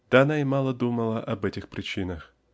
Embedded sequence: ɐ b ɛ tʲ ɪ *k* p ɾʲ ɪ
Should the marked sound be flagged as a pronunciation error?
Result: yes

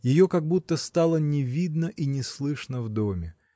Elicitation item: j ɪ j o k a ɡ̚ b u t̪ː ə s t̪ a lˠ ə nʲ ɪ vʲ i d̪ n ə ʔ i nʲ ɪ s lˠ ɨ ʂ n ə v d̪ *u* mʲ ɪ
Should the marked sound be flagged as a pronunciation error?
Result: yes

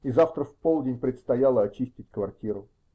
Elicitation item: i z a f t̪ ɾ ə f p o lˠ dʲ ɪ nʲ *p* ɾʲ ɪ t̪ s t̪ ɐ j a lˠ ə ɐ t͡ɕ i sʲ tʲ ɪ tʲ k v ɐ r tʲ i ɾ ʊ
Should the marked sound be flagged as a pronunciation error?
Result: no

